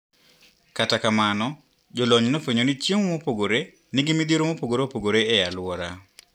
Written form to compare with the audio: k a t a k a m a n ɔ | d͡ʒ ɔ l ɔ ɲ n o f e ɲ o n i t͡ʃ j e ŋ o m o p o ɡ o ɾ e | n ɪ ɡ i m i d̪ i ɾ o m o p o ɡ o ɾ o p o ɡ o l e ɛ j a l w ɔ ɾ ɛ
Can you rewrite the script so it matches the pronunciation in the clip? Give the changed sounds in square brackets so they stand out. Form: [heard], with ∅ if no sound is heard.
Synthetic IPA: k a t a k a m a n ɔ | d͡ʒ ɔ l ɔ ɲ n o f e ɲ o n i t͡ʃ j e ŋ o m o p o ɡ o ɾ e | n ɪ ɡ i m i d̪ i ɾ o m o p o ɡ o ɾ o p o ɡ o [ɾ] e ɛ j a l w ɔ ɾ [a]